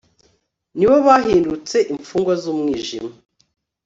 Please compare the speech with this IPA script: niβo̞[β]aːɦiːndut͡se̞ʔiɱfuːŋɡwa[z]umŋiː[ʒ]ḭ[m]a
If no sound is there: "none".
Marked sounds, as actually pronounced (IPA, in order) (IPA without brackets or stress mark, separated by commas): β, z, ʒ, m